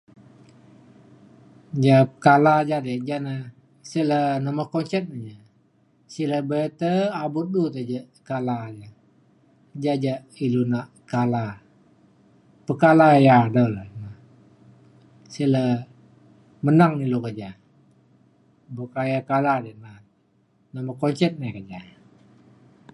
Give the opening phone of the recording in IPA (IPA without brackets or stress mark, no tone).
d͡ʒ